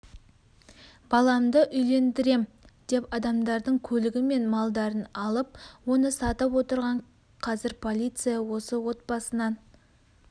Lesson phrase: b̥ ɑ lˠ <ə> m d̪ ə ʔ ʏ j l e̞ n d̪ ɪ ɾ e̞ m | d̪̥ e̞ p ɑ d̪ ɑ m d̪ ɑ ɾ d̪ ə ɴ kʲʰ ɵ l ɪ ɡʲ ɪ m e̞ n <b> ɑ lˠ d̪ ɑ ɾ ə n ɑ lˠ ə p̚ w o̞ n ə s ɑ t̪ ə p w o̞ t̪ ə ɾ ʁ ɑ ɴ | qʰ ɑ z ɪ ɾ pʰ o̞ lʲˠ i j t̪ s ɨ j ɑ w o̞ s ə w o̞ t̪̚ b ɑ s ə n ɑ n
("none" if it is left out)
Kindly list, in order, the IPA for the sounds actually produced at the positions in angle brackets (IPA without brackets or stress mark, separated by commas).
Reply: ɑ, m